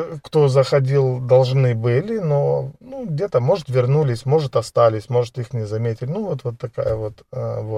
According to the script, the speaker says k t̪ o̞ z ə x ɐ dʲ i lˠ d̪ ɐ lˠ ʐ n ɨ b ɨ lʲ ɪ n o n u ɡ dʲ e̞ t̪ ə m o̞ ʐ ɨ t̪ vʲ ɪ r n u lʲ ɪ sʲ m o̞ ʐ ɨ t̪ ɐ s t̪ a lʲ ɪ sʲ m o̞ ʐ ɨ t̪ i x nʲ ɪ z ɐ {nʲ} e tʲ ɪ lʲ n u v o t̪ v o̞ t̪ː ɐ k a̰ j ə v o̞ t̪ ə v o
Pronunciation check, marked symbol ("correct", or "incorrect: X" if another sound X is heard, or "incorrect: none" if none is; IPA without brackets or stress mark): incorrect: mʲ